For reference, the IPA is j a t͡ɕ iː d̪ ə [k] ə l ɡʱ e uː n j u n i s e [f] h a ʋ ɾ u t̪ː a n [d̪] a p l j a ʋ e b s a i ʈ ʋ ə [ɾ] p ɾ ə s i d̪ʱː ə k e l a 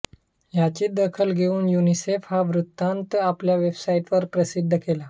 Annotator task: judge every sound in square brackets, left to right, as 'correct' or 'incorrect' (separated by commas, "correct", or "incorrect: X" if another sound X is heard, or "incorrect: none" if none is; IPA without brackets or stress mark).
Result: incorrect: kʰ, correct, incorrect: t̪, correct